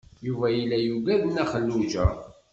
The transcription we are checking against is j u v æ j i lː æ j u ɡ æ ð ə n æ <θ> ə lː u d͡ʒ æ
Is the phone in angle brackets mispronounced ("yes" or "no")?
yes